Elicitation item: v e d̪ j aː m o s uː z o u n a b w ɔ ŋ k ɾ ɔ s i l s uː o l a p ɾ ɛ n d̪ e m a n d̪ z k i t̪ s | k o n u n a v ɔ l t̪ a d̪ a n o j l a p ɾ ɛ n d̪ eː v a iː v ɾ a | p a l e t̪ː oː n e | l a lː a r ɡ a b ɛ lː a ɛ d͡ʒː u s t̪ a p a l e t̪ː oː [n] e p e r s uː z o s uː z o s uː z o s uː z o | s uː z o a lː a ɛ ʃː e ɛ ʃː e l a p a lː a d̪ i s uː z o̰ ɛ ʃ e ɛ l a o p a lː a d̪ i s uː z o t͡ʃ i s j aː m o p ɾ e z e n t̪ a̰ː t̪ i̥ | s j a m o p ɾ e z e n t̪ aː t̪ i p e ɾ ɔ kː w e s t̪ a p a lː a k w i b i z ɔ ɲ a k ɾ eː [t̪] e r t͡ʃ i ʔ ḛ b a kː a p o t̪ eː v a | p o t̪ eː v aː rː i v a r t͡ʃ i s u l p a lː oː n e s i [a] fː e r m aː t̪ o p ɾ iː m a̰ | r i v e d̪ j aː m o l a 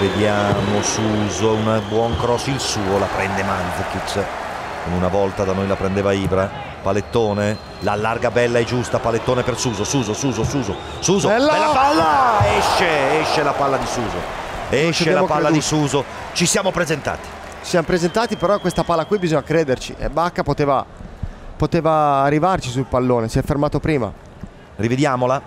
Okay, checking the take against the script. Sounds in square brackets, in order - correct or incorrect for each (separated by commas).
correct, incorrect, incorrect